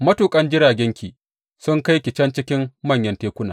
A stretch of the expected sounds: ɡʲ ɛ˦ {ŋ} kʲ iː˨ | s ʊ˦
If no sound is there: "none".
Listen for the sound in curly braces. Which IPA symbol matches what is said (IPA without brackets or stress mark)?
ŋ